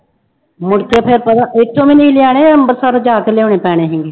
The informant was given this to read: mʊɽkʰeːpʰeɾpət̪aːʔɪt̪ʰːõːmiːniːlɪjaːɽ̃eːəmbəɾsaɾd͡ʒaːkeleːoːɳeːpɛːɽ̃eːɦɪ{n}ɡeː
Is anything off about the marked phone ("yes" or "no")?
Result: yes